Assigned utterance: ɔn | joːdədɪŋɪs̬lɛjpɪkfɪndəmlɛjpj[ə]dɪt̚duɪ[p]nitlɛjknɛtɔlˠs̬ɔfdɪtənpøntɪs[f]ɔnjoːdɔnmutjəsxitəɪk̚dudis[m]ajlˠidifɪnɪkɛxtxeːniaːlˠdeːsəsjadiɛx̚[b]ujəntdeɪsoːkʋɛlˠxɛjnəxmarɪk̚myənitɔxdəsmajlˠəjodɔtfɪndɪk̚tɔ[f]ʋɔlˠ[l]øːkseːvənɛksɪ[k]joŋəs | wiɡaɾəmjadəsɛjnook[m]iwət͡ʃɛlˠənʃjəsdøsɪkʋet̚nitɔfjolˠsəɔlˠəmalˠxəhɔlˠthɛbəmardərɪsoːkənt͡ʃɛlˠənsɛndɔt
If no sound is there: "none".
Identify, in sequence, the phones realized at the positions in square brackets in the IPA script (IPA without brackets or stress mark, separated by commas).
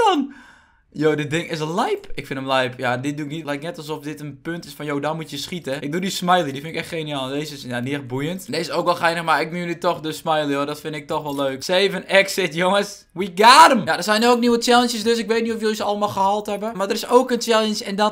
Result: a, k, f, m, b, x, l, t, n